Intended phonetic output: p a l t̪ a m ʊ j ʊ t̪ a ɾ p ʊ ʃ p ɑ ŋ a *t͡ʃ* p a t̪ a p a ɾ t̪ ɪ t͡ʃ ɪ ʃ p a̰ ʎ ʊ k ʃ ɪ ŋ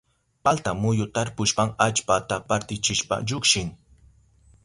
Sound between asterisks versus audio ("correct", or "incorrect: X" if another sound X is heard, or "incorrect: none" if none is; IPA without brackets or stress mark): correct